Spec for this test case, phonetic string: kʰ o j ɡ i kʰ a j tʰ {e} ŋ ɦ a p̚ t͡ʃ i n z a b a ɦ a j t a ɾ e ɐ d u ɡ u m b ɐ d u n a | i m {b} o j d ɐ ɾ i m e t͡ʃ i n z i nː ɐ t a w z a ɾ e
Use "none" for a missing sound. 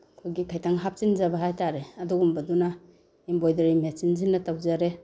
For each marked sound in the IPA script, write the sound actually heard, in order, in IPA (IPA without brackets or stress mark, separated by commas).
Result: a, b